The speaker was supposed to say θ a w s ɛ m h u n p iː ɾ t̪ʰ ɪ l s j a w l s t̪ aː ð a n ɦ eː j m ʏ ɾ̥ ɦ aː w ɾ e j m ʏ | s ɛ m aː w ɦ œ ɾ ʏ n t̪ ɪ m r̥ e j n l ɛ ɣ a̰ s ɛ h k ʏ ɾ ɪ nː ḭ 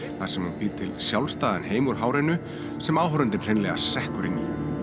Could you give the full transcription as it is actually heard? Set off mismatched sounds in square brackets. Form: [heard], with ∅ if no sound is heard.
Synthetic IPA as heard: θ a [∅] s ɛ m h u n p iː ɾ t̪ʰ ɪ l s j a w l s t̪ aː ð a n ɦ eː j m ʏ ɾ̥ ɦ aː w ɾ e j [n] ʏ | s ɛ m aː w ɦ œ ɾ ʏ n t̪ ɪ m r̥ e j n l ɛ ɣ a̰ s ɛ h k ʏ ɾ ɪ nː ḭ